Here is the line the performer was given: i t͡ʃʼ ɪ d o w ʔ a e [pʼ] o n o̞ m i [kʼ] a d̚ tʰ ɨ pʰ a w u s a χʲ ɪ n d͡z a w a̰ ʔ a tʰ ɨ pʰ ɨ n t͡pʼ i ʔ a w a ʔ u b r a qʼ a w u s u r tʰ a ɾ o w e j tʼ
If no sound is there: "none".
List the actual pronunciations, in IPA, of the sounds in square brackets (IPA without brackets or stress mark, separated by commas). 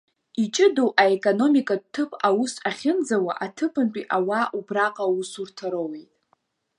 kʼ, kʼ